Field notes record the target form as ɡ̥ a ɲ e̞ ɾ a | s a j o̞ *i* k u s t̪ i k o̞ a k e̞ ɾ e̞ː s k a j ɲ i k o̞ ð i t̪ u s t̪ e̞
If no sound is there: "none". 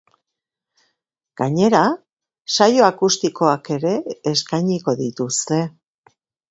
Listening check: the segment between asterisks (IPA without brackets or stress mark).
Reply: a